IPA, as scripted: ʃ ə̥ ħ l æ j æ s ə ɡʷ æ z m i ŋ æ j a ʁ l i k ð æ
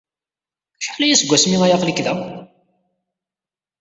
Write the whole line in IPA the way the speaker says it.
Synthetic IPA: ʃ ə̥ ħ l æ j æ s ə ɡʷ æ s m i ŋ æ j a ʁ l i k ð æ